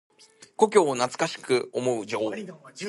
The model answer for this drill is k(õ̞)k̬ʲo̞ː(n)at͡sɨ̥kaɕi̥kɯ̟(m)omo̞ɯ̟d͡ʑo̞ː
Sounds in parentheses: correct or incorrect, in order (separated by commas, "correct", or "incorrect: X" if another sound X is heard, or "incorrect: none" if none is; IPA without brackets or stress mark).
incorrect: o̞, correct, incorrect: none